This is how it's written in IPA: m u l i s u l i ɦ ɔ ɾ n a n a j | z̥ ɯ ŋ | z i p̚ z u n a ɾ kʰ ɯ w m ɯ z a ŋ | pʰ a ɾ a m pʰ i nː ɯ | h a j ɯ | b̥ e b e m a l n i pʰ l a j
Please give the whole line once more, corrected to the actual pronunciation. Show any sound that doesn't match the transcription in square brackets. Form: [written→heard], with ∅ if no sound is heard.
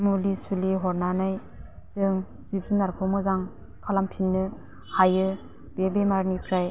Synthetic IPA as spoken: m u l i s u l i ɦ ɔ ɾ n a n a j | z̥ ɯ ŋ | z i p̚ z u n a ɾ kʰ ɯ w m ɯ z a ŋ | [pʰ→kʰ] a [ɾ→l] a m pʰ i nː ɯ | h a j ɯ | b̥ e b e m a [l→ɾ] n i pʰ [l→ɾ] a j

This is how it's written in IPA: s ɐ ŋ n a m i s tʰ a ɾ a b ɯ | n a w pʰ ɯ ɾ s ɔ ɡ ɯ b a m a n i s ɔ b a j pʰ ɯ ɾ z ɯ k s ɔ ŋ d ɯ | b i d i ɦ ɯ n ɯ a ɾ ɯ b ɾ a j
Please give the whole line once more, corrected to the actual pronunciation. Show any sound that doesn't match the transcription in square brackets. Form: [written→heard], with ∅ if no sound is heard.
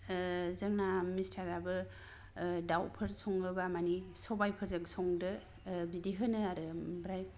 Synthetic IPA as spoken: [s→z] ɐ ŋ n a m i s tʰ a ɾ a b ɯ | [n→d] a w pʰ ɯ ɾ s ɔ [ɡ→ŋ] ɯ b a m a n i s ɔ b a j pʰ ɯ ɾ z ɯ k s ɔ ŋ d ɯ | b i d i ɦ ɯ n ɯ a ɾ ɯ b ɾ a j

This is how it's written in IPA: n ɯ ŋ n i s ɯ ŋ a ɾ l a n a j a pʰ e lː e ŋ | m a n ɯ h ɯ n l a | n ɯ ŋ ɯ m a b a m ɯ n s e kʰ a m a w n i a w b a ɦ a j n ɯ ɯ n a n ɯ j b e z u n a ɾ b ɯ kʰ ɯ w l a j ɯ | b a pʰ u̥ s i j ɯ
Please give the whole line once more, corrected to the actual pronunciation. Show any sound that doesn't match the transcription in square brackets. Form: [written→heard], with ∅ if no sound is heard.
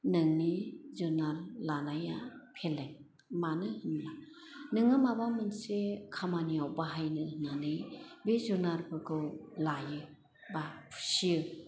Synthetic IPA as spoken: n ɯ ŋ n i [s→z] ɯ [ŋ→n] a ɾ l a n a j a pʰ e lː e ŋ | m a n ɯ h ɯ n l a | n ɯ ŋ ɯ m a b a m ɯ n s e kʰ a m a [w→∅] n i a w b a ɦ a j n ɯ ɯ n a n ɯ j b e z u n a ɾ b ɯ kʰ ɯ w l a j ɯ | b a pʰ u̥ s i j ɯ

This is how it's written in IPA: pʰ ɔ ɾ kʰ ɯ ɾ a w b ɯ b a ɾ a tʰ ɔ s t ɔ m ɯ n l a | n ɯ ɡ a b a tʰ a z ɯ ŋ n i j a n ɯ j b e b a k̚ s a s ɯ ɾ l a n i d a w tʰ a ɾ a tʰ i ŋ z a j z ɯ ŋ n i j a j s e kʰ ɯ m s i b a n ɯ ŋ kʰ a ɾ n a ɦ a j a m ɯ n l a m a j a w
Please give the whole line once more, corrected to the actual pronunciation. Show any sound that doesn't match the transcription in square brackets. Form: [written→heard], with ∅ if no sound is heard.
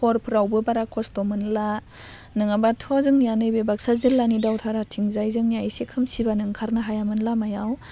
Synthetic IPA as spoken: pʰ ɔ ɾ [kʰ→pʰ] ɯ ɾ a w b ɯ b a ɾ a [tʰ→kʰ] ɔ s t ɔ m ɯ n l a | n ɯ [ɡ→ŋ] a b a tʰ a z ɯ ŋ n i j a n ɯ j b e b a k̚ s a [s→z] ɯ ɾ l a n i d a w tʰ a ɾ a tʰ i ŋ z a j z ɯ ŋ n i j a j s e kʰ ɯ m s i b a n ɯ ŋ kʰ a ɾ n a ɦ a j a m ɯ n l a m a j a w

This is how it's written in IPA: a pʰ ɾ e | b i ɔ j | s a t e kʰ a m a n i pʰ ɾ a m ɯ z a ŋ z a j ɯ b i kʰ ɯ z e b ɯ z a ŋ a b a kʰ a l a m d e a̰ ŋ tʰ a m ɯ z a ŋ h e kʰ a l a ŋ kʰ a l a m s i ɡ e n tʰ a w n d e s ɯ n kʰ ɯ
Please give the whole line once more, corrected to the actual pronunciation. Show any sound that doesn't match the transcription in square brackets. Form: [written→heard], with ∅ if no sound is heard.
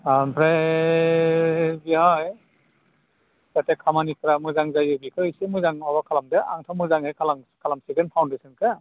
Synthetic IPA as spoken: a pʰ ɾ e | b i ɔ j | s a t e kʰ a m a n i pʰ ɾ a m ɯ z a ŋ z a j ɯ b i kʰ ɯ [z→s] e [b→m] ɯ z a ŋ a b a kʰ a l a m d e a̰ ŋ tʰ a m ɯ z a ŋ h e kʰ a l a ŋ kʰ a l a m s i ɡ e n [tʰ→pʰ] a w n d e s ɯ n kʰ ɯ

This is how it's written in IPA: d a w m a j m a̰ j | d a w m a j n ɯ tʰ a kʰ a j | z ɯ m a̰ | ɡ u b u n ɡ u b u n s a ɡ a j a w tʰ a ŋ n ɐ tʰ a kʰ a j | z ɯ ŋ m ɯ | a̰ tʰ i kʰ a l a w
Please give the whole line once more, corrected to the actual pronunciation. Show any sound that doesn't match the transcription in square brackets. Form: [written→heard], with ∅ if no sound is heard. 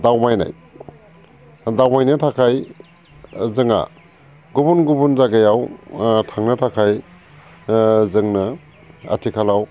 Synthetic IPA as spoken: d a w m a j [m→n] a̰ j | d a w m a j n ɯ tʰ a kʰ a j | z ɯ [m→ŋ] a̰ | ɡ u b u n ɡ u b u n [s→z] a ɡ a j a w tʰ a ŋ n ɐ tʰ a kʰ a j | z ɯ ŋ [m→n] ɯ | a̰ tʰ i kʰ a l a w

